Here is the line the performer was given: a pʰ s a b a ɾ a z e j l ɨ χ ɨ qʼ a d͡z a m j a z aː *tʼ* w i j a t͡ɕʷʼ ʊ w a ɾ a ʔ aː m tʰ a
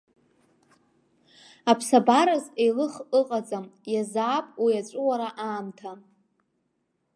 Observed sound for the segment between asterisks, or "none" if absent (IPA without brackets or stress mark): pʼ